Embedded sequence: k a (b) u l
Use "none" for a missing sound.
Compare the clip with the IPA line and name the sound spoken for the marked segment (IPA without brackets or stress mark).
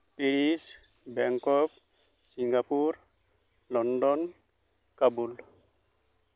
b